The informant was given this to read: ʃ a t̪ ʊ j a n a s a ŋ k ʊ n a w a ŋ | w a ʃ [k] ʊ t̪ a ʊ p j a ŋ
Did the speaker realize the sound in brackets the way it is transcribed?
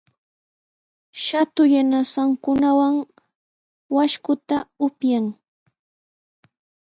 yes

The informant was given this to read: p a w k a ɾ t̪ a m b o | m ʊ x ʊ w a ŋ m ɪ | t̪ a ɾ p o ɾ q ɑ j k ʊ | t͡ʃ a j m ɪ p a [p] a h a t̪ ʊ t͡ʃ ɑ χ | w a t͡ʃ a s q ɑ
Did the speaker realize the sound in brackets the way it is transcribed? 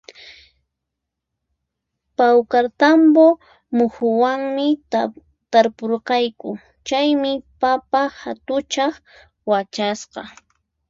yes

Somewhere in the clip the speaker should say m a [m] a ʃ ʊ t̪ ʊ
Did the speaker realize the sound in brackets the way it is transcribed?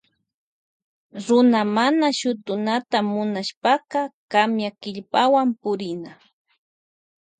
no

